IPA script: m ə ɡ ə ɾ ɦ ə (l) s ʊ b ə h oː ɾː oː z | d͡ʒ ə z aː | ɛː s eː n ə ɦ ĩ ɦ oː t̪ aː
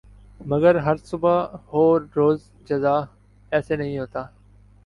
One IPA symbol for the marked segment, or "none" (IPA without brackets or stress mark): ɾ